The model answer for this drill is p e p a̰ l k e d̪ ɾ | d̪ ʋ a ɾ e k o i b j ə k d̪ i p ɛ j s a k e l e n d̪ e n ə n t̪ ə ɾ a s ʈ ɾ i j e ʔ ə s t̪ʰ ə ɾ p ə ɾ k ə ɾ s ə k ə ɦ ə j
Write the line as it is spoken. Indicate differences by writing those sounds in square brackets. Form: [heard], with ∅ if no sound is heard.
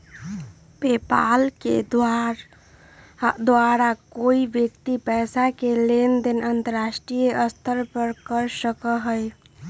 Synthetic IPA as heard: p e p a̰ l k e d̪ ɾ | d̪ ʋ a ɾ [a] k o i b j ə k [t̪] i p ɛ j s a k e l e n d̪ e n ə n t̪ ə ɾ a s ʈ ɾ i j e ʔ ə s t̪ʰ ə ɾ p ə ɾ k ə ɾ s ə k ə ɦ ə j